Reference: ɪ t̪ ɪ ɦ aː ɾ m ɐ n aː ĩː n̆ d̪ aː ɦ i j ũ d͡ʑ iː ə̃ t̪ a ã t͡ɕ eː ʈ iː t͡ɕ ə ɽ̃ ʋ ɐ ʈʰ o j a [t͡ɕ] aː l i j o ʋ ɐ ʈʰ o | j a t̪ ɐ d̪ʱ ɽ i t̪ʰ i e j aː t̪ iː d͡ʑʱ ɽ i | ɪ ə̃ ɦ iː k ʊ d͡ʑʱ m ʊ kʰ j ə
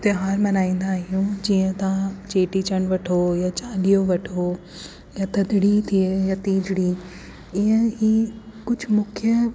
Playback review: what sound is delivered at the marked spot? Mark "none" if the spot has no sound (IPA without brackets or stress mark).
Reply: t͡ɕ